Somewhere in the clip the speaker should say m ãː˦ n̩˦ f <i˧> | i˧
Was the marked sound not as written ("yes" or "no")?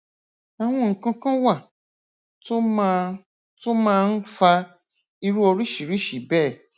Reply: yes